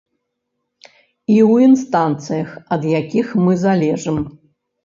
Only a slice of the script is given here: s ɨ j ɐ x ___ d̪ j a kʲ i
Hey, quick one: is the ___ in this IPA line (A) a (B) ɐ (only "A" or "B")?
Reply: B